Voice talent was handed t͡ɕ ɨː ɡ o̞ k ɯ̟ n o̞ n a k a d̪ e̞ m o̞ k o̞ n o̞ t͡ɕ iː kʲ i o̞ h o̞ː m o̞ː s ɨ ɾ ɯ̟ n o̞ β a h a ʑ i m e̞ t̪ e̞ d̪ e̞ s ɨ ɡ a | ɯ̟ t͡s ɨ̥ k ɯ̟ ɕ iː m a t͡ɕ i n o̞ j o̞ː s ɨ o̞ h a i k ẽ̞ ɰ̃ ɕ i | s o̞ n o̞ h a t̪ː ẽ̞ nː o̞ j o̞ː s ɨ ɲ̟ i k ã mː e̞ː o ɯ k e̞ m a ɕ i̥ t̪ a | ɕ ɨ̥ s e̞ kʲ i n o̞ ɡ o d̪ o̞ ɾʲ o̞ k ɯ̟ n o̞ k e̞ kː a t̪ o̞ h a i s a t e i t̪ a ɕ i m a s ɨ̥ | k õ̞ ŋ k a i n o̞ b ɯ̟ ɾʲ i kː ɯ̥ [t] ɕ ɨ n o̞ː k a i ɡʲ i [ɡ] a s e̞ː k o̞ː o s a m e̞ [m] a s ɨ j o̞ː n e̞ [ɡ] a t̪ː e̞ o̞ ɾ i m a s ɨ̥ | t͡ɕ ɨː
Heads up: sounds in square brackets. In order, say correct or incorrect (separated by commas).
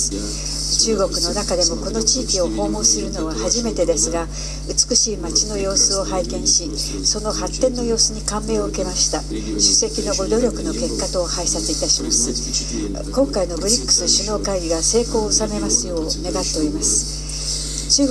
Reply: incorrect, correct, correct, correct